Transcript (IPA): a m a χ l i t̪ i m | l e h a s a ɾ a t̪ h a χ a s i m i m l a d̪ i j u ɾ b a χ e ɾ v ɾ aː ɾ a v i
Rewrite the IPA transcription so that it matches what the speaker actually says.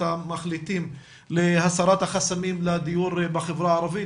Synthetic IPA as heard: a m a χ l i t̪ i m | l e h a s a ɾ a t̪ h a χ a s a m i m l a d̪ i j u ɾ b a χ e v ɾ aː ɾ a v i